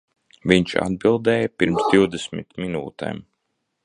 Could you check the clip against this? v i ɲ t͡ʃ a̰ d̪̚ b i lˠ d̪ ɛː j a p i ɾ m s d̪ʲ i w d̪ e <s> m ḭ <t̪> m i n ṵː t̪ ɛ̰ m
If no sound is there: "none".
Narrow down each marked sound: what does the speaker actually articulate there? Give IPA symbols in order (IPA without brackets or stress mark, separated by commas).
s, t̪